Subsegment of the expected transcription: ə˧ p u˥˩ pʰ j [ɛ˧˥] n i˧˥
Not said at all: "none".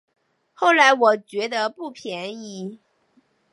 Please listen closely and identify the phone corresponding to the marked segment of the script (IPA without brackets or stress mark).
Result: ɛ˧˥